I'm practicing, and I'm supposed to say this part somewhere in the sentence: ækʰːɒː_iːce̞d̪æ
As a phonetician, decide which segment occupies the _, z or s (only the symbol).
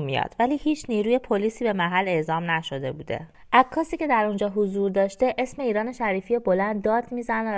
s